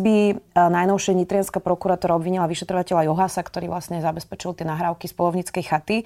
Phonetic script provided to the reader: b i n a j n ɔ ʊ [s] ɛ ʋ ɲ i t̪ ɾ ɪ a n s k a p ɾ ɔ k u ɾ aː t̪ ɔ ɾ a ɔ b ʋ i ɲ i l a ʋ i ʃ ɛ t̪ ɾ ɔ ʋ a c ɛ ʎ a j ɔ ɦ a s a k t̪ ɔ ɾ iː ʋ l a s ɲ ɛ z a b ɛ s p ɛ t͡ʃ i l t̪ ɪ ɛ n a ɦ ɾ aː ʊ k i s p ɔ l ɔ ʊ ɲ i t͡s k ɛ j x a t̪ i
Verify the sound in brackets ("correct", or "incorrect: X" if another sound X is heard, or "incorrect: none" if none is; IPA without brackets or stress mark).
incorrect: ʃ